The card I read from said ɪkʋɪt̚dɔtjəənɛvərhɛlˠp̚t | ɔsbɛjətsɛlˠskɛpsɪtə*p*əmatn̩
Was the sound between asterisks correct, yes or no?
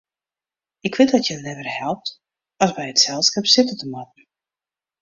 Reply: no